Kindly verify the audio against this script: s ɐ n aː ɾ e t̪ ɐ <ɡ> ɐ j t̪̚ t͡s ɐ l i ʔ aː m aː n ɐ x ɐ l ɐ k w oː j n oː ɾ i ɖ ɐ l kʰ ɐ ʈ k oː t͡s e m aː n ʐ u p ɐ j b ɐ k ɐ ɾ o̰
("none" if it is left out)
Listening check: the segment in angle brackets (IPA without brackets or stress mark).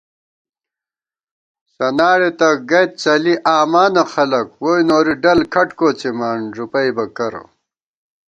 ɡ